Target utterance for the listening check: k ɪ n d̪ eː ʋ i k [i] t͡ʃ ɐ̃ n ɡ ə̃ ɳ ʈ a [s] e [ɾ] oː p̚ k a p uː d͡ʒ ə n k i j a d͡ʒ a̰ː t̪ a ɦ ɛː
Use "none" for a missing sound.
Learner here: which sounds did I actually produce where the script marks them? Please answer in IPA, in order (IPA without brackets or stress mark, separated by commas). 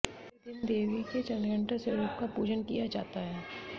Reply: e, s, ɾ